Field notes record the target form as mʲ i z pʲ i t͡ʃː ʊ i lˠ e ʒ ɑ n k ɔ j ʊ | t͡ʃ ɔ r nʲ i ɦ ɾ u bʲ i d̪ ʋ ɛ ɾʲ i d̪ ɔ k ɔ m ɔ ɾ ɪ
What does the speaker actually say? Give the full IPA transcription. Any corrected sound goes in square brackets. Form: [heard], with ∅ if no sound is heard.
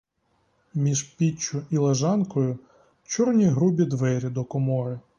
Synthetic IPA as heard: mʲ i [ʒ] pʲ i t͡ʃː ʊ i lˠ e ʒ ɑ n k ɔ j ʊ | t͡ʃ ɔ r nʲ i ɦ ɾ u bʲ i d̪ ʋ ɛ ɾʲ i d̪ ɔ k ɔ m ɔ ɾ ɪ